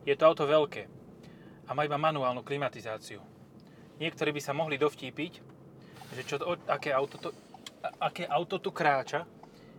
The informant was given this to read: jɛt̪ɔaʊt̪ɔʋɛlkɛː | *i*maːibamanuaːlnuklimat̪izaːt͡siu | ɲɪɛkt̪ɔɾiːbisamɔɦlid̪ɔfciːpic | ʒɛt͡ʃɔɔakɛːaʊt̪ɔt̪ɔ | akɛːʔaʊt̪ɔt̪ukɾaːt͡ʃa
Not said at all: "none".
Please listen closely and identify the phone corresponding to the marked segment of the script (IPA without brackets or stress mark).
a